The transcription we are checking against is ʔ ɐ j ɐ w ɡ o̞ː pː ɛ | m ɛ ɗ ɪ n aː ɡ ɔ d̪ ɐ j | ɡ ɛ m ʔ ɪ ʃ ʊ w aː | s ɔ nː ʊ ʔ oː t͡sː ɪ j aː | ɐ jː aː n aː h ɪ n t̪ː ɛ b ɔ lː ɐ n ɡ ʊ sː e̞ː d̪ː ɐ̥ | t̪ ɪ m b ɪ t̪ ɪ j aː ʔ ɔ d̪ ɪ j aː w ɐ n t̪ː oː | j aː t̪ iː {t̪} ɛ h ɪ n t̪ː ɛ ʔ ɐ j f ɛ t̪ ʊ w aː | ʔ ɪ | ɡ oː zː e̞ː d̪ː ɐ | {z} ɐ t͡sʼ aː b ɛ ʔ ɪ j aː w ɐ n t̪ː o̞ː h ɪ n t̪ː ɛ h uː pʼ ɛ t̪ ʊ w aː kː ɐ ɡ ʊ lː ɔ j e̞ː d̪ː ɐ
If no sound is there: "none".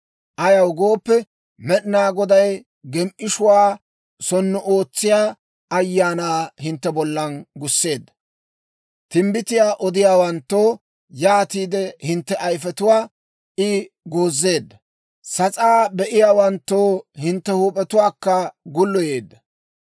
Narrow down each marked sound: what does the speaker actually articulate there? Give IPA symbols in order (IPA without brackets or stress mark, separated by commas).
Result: d̪, s